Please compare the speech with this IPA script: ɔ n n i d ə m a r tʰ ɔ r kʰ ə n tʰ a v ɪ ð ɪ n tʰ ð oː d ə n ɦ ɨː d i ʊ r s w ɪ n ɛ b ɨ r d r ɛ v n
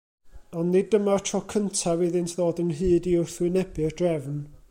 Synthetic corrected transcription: ɔ n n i d ə m a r tʰ ɔ kʰ ə n tʰ a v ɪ ð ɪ n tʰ ð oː d ə n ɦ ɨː d i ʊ r θ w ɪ n ɛ b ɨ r d r ɛ v n